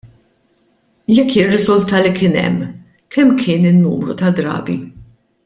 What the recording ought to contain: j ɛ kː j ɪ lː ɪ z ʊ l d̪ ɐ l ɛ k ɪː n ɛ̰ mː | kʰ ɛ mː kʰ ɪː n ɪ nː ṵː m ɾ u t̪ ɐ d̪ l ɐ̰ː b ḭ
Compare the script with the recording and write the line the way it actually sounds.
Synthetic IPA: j ɛ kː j ɪ rː ɪ z ʊ l t̪ ɐ l i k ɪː n ɛ̰ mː | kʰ ɛ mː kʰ ɪː n ɪ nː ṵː m ɾ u t̪ ɐ d̪ ɾ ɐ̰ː b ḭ

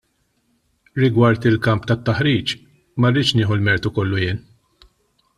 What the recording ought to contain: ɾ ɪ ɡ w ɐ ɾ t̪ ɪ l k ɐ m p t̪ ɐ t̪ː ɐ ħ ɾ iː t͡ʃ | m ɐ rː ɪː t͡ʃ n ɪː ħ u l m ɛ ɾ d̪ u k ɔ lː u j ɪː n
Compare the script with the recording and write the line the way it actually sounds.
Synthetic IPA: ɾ ɪ ɡ w ɐ ɾ t̪ ɪ l k ɐ m p t̪ ɐ t̪ː ɐ ħ ɾ iː t͡ʃ | m ɐ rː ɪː t͡ʃ n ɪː ħ u l m ɛ ɾ t̪ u k ɔ lː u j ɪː n

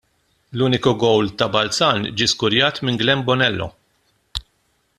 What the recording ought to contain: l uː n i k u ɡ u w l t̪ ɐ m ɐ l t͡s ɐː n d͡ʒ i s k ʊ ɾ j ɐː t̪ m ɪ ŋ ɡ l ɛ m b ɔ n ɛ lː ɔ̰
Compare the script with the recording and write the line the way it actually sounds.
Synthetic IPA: l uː n ɪ k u ɡ ɔ w l t̪ ɐ b ɐ l t͡s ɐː n d͡ʒ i s k ʊ ɾ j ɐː t̪ m ɪ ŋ ɡ l ɛ m b ɔ n ɛ lː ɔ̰

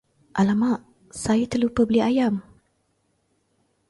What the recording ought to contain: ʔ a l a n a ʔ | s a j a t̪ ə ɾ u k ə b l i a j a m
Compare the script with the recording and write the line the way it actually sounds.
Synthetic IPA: ʔ a l a m a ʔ | s a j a t̪ ə l u p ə b l i a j a m

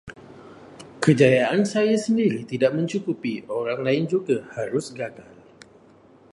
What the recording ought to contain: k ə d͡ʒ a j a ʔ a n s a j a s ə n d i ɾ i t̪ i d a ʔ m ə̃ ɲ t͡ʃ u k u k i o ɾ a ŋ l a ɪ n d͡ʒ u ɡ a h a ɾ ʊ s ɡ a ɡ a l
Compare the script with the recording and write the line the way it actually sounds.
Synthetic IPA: k ə d͡ʒ a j a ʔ a n s a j a s ə n d i ɾ i t̪ i d a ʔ m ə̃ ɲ t͡ʃ u k u p i o ɾ a ŋ l a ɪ n d͡ʒ u ɡ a h a ɾ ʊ s ɡ a ɡ a l

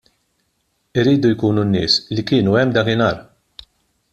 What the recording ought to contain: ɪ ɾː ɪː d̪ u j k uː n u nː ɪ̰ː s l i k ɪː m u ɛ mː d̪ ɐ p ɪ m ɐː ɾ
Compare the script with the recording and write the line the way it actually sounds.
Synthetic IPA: ɪ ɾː iː d̪ u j k uː n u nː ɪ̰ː s l i k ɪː n u ɛ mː d̪ ɐ k ɪ n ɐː ɾ

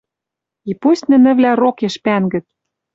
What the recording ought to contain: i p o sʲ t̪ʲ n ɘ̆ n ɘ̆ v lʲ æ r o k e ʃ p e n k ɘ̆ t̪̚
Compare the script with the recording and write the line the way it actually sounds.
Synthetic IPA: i p u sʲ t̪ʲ n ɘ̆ n ɘ̆ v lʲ æ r o k e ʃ p æ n ɡ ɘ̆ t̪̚

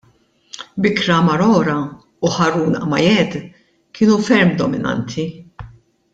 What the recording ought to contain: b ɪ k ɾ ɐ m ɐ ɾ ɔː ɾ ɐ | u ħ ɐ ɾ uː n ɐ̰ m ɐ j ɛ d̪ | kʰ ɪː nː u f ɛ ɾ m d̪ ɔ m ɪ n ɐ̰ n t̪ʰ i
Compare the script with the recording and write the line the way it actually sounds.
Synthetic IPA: b ɪ k ɾ ɐ m ɐ ɾ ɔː ɾ ɐ | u ħ ɐ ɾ uː n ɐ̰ m ɐ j ɛ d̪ | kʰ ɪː n u f ɛ ɾ m d̪ ɔ m ɪ n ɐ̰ n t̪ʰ i

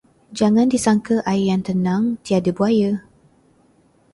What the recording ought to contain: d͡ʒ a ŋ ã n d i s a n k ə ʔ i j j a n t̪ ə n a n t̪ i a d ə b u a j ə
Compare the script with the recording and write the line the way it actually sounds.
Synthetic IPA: d͡ʒ a ŋ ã n d i s a ŋ k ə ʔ a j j a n t̪ ə n a ŋ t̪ i a d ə b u a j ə

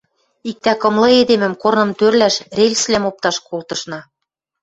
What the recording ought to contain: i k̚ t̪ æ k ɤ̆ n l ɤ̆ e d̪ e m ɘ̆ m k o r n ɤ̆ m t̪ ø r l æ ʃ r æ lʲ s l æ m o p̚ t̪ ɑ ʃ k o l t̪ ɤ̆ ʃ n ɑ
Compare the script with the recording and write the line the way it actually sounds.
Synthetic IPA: i k̚ t̪ æ k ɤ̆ m l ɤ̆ e d̪ e m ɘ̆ m k o r n ɤ̆ m t̪ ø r l æ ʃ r e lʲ s l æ m o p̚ t̪ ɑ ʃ k o l t̪ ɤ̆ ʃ n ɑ

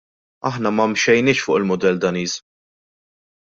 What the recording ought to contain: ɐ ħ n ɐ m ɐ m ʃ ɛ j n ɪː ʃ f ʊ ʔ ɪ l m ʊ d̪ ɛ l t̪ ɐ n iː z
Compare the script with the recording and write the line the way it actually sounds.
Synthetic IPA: ɐ ħ n ɐ m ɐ m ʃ ɛ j n ɪː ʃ f ʊː ʔ ɪ l m ʊ d̪ ɛ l d̪ ɐ n iː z

